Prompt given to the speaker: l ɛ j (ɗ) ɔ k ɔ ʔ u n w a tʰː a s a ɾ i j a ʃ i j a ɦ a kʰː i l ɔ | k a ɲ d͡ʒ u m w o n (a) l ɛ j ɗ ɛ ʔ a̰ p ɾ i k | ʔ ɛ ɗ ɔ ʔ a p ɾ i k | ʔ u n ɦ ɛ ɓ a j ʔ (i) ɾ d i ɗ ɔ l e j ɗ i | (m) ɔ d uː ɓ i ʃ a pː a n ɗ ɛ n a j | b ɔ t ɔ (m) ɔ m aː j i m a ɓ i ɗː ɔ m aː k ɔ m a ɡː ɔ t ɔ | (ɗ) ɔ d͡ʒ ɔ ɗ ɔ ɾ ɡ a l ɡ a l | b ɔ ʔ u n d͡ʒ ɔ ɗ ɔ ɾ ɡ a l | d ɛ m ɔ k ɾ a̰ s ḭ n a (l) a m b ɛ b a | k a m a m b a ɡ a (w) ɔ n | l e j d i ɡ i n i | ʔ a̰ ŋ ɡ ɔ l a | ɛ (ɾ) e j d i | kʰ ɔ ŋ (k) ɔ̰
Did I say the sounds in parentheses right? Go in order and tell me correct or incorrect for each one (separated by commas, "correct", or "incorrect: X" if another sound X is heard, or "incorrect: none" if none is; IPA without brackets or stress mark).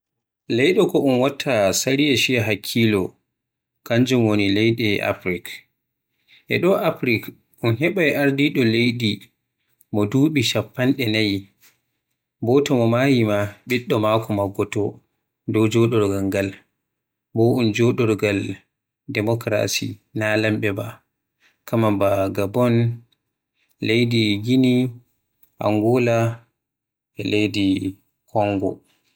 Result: correct, incorrect: i, incorrect: a, correct, correct, incorrect: d, correct, incorrect: b, incorrect: l, incorrect: ɡ